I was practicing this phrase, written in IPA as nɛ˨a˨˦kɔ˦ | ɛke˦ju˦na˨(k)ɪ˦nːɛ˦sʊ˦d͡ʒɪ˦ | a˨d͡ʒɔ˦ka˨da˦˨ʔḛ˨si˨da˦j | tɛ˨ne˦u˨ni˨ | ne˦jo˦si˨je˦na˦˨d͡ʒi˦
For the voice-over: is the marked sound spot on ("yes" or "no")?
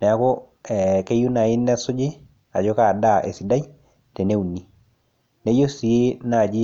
no